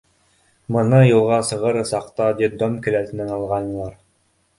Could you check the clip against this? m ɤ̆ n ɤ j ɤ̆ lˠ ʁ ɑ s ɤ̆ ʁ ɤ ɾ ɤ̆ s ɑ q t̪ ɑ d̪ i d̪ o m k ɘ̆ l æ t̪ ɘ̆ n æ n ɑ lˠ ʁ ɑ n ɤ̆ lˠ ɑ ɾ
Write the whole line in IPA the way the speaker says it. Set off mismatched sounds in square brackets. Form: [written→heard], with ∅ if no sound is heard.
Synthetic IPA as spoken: m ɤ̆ n ɤ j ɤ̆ lˠ ʁ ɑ s ɤ̆ ʁ ɤ ɾ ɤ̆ s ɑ q t̪ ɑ d̪ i d̪ o m k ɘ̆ l æ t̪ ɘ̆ n æ n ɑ lˠ ʁ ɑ n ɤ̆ lˠ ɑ ɾ